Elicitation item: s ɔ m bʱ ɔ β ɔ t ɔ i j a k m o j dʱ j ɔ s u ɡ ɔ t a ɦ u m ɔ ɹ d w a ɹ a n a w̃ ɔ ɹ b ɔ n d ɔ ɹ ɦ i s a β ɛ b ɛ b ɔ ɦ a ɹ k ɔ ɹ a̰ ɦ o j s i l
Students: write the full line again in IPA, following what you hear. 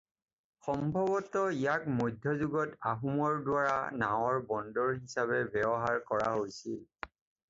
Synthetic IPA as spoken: x ɔ m bʱ ɔ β ɔ t ɔ i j a k m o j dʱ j ɔ z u ɡ ɔ t a ɦ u m ɔ ɹ d w a ɹ a n a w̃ ɔ ɹ b ɔ n d ɔ ɹ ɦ i s a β ɛ b ɛ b ɔ ɦ a ɹ k ɔ ɹ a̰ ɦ o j s i l